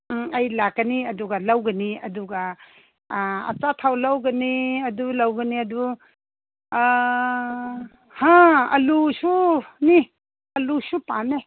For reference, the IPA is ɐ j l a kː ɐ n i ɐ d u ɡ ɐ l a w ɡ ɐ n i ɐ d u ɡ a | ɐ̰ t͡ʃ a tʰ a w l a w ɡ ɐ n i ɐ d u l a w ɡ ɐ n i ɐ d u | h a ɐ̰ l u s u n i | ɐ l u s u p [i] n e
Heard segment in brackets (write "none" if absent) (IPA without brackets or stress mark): a